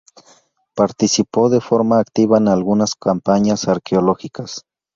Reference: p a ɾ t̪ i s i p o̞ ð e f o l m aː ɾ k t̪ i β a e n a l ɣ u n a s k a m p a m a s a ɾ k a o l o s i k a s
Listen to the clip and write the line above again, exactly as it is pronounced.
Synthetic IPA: p a ɾ t̪ i s i p o̞ ð e f o ɾ m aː k t̪ i β a e n a l ɣ u n a s k a m p a ɲ a s a ɾ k e o l o x i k a s